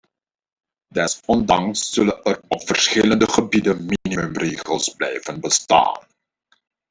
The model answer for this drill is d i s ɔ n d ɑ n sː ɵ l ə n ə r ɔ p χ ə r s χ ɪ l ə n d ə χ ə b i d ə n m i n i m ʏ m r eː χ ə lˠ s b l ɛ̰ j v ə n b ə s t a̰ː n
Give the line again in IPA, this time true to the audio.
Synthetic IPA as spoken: d ɛ s ɔ n d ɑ ŋ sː ɵ l ə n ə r ɔ p f ə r s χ ɪ l ə n d ə χ ə b i d ə n m i n i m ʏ m r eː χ ə lˠ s b l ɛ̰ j v ə n b ə s t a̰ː n